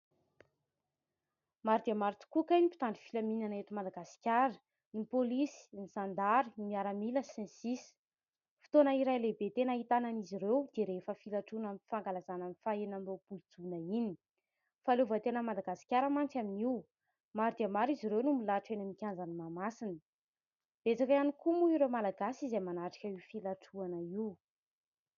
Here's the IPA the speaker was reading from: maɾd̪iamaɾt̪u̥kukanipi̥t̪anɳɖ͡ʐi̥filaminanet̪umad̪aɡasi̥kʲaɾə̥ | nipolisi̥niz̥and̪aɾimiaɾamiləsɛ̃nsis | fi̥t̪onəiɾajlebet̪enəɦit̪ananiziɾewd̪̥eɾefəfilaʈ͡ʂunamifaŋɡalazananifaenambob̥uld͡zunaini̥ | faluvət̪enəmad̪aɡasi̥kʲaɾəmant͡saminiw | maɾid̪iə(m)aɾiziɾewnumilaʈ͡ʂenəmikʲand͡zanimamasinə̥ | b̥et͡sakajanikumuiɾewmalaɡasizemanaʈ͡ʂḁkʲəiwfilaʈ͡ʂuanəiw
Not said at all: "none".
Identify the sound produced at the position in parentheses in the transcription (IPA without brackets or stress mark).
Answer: m